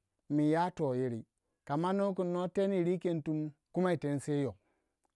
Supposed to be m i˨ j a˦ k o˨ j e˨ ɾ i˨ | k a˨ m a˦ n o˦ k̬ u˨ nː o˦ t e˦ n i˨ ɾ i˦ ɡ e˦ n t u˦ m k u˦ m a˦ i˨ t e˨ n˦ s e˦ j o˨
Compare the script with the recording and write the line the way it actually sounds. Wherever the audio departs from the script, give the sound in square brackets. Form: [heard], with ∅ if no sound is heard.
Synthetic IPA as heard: m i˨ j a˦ [t] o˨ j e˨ ɾ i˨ | k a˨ m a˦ n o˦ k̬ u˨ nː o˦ t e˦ n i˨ ɾ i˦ [k] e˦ n t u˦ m k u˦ m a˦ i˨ t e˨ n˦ s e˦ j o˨

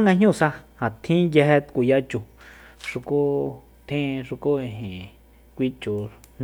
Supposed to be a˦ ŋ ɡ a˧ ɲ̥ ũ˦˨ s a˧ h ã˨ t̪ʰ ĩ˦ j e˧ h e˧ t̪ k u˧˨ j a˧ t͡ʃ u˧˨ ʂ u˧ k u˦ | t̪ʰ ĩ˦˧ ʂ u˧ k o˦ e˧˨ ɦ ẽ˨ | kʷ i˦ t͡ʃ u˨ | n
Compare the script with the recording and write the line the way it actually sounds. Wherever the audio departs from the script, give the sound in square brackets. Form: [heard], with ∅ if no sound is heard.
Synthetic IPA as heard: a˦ ŋ ɡ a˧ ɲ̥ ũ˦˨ s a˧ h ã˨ t̪ʰ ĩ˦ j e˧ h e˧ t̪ k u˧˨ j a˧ t͡ʃ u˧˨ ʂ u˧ k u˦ | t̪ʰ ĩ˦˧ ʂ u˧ k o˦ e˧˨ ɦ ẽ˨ | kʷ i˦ t͡ʃ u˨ | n

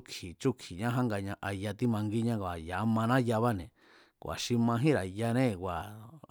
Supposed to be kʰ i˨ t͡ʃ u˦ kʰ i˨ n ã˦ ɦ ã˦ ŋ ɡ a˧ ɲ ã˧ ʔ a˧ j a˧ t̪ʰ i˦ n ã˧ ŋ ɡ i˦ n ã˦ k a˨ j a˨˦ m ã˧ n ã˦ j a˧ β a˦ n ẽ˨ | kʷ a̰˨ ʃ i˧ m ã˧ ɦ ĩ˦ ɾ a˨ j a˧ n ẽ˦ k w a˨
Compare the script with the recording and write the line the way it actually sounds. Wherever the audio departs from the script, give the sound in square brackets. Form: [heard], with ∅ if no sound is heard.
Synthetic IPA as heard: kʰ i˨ t͡ʃ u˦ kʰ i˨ [ɲ] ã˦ ɦ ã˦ ŋ ɡ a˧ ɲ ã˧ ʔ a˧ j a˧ [t̪] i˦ [m] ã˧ ŋ ɡ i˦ [ɲ] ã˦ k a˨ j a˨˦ m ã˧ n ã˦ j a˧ β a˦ n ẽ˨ | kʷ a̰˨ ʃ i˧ m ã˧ ɦ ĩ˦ ɾ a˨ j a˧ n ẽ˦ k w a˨

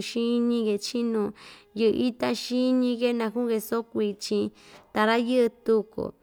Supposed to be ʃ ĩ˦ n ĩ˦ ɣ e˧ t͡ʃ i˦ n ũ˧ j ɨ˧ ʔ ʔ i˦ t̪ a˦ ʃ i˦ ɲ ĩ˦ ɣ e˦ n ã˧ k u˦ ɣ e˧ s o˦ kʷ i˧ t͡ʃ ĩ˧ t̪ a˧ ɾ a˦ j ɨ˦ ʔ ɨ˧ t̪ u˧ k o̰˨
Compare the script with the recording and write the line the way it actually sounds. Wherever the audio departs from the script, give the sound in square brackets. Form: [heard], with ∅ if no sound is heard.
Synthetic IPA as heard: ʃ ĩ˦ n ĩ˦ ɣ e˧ t͡ʃ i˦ n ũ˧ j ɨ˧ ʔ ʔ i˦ t̪ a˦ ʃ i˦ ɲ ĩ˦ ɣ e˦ n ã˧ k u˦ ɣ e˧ s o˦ kʷ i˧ t͡ʃ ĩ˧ t̪ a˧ ɾ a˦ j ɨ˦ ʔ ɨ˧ t̪ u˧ k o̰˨

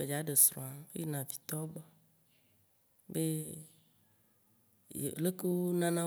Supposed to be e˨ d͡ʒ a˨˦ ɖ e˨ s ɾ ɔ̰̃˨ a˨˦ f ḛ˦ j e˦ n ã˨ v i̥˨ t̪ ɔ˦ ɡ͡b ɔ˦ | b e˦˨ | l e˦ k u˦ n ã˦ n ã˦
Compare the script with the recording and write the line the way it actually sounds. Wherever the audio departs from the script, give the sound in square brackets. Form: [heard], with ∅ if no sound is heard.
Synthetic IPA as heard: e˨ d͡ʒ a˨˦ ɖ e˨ s ɾ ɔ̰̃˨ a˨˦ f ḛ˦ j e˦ n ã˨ v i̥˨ t̪ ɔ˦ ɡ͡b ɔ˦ | b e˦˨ | l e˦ k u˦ n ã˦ n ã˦

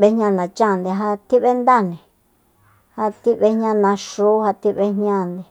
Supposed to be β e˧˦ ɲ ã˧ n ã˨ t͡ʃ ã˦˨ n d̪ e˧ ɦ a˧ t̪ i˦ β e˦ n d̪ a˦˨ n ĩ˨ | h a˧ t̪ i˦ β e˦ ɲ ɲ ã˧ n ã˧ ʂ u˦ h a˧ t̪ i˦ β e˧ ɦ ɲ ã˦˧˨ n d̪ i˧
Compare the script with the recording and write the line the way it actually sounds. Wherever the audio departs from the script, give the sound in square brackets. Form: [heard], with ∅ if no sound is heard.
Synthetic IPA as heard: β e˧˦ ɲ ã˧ n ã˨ t͡ʃ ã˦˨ n d̪ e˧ ɦ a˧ t̪ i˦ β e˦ n d̪ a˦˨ n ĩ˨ | h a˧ t̪ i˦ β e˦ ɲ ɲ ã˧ n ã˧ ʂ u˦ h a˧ t̪ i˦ β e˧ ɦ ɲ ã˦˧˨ n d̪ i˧

